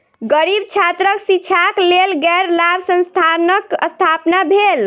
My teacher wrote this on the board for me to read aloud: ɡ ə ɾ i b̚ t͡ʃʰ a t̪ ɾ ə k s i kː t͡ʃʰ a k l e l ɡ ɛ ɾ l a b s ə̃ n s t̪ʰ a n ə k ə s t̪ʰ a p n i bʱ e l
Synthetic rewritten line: ɡ ə ɾ i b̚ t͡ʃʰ a t̪ ɾ ə k s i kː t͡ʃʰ a k l e l ɡ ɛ ɾ l a b s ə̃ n s t̪ʰ a n ə k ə s t̪ʰ a p n a bʱ e l